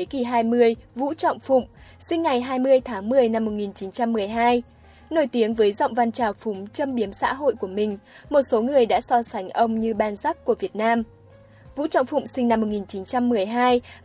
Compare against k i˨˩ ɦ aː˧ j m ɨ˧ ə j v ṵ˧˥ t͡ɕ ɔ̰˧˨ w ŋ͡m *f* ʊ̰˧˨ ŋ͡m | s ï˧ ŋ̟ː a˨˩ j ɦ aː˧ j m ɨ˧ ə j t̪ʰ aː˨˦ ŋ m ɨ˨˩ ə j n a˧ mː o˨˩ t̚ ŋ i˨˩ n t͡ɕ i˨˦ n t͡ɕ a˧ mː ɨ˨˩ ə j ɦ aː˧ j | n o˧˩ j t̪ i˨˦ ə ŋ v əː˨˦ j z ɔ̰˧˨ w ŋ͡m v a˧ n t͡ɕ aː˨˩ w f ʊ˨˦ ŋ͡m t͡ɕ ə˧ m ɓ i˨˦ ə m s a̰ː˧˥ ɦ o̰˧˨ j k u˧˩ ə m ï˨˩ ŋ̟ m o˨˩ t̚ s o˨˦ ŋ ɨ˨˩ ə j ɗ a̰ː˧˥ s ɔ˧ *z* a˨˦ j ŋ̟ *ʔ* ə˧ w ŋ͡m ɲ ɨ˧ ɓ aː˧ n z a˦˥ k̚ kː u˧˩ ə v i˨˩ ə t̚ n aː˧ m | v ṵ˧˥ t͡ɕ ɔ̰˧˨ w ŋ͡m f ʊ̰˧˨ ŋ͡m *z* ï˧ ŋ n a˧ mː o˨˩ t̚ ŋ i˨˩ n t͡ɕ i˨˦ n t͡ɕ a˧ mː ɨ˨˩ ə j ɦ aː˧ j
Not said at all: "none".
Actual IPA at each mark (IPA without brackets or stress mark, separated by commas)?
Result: f, s, ʔ, s